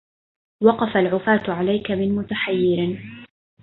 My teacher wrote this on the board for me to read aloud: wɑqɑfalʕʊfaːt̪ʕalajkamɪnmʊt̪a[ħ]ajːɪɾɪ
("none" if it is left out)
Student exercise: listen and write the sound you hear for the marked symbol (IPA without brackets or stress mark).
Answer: ħ